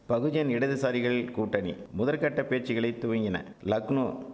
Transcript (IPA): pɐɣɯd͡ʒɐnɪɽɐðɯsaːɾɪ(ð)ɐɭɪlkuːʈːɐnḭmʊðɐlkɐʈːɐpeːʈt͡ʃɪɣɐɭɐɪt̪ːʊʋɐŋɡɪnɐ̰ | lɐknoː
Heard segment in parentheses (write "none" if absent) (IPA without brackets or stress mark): ɣ